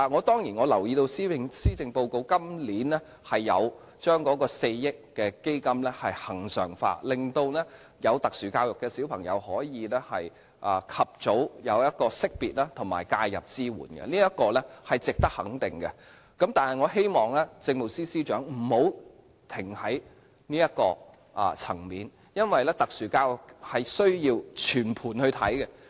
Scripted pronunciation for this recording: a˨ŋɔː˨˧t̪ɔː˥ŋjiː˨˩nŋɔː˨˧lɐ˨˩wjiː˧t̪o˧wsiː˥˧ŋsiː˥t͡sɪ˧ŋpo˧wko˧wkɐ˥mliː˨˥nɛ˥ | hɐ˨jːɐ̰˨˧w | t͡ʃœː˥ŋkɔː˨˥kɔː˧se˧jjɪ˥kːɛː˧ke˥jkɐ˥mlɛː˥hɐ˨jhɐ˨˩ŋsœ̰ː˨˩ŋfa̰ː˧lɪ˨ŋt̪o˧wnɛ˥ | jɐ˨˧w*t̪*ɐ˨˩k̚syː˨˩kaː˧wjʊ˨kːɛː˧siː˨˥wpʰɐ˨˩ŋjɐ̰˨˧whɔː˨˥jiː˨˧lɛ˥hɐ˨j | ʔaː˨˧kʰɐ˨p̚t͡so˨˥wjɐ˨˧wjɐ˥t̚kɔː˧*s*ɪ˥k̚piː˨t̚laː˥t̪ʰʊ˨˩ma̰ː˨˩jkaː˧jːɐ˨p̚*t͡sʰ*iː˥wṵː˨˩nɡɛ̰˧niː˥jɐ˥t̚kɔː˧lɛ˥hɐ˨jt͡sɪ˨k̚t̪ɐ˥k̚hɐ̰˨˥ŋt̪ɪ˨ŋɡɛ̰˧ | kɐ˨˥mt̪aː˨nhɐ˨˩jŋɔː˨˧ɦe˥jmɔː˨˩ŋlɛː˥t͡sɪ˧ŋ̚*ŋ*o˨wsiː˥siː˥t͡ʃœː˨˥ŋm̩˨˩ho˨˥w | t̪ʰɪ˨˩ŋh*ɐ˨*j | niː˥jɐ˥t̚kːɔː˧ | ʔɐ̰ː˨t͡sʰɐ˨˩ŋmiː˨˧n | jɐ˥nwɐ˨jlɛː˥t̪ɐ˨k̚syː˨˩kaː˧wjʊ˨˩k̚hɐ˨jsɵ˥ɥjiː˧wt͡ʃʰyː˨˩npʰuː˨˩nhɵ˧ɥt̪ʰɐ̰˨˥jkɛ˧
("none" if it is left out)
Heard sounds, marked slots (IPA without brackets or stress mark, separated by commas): t̪, s, t͡s, m, ɐ˨˥